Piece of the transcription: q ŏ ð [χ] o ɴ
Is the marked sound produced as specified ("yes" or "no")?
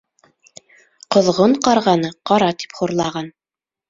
no